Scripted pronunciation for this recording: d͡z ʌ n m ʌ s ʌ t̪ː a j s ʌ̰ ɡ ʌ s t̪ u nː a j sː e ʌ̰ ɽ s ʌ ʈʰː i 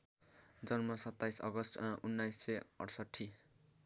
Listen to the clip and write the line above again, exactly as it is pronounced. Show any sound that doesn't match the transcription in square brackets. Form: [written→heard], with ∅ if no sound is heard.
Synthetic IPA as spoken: d͡z ʌ n m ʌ s ʌ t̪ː a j s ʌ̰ ɡ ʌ s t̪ u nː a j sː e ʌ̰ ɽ s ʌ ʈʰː i